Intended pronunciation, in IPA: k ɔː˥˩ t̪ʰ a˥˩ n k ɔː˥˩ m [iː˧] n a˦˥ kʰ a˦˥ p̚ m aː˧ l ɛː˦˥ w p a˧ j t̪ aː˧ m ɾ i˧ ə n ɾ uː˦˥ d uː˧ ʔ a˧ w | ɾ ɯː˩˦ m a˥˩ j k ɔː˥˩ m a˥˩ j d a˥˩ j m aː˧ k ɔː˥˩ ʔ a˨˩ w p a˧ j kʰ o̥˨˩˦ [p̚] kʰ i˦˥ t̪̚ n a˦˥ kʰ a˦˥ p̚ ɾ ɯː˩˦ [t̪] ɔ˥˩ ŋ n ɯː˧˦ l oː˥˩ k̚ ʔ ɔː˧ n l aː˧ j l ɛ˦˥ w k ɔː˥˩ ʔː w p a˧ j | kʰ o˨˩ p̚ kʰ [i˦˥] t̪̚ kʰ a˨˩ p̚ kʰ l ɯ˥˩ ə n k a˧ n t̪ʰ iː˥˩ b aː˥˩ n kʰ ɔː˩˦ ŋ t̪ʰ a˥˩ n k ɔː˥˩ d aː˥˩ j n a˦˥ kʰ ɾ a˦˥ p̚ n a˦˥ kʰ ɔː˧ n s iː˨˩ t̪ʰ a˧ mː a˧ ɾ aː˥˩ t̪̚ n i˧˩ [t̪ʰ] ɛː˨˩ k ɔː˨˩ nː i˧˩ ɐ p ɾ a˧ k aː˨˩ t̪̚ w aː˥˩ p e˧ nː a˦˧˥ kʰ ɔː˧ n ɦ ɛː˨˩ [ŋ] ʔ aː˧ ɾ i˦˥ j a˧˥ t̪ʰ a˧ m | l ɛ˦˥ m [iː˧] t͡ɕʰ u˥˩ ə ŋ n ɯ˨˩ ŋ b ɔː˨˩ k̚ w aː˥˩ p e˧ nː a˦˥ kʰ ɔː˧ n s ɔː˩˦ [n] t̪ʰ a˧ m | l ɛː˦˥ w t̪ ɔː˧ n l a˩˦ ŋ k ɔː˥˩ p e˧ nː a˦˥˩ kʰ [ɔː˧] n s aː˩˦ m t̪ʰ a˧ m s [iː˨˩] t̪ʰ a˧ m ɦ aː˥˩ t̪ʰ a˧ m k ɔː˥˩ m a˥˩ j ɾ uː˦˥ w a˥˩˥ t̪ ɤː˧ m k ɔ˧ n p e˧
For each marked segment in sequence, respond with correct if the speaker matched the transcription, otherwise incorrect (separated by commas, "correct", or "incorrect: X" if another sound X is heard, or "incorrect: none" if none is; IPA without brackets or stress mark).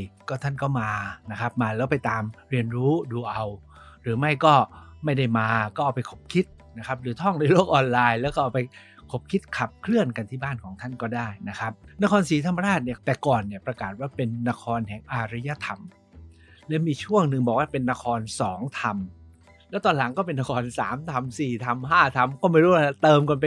incorrect: aː˧, correct, incorrect: t̪ʰ, correct, incorrect: t̪, correct, correct, incorrect: ŋ, correct, correct